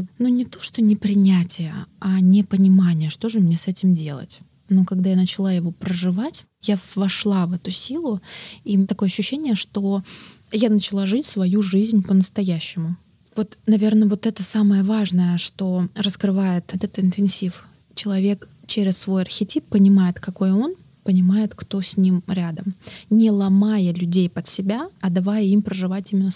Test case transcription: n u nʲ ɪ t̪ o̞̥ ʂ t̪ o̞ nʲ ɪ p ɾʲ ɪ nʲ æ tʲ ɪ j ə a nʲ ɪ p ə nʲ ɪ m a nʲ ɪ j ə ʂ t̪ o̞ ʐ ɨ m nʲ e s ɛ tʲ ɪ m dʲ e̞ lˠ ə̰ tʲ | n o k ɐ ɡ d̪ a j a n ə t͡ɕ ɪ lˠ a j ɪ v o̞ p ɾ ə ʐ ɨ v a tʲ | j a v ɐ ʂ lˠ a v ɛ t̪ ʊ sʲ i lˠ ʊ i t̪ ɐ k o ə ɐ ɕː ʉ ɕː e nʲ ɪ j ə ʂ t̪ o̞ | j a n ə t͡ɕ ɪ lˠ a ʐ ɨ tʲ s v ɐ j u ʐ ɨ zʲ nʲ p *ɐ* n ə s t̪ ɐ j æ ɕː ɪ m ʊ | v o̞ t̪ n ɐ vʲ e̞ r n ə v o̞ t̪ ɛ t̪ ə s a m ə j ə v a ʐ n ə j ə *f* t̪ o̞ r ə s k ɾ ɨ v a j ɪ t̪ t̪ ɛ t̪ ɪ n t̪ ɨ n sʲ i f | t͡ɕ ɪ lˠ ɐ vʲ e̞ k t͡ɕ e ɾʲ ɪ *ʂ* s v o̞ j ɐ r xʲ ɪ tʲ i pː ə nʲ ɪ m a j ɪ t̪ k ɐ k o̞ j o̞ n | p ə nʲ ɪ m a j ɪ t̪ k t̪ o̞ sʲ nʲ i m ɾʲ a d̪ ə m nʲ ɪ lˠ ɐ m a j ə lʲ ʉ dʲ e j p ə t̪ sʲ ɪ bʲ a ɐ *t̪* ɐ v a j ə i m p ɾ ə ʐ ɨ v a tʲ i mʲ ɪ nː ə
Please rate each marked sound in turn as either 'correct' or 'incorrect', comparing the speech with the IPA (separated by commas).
incorrect, incorrect, incorrect, incorrect